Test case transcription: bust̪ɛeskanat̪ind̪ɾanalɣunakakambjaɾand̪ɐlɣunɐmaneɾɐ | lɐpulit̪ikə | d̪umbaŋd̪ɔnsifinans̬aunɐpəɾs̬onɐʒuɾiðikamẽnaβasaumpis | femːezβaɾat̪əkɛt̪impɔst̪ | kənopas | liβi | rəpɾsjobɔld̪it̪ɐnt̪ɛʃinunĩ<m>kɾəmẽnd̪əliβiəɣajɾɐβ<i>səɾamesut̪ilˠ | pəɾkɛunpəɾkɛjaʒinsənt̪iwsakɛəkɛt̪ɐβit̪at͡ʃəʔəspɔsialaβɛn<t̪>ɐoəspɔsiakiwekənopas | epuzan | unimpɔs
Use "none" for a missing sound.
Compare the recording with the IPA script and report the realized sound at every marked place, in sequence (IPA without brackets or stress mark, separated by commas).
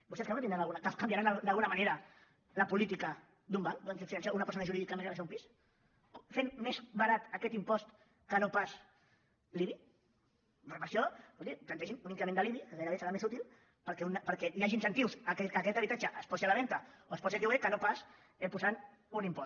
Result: ŋ, e, t̪